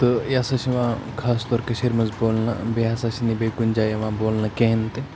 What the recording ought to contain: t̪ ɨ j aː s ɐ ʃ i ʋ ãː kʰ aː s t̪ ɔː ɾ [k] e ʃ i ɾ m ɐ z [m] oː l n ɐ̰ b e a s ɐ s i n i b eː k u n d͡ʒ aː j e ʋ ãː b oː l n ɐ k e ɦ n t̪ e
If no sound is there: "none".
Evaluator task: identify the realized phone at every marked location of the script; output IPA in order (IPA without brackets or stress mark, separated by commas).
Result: k, b